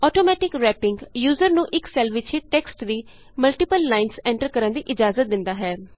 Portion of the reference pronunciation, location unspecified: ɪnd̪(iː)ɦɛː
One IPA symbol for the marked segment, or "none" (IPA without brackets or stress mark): aː